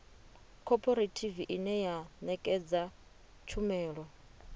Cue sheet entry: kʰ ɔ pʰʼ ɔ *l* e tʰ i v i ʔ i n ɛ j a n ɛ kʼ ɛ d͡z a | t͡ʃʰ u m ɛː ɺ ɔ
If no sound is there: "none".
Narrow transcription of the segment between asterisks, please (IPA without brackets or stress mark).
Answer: ɾ